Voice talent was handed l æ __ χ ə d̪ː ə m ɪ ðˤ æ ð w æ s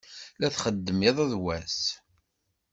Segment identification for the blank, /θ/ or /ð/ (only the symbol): θ